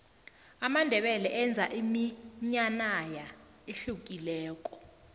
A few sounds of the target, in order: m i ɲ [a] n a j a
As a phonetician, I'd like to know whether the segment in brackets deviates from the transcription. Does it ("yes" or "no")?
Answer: no